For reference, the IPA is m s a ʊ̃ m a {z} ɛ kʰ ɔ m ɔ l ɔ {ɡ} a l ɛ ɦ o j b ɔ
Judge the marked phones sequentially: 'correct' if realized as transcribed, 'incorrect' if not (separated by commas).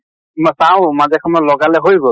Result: correct, correct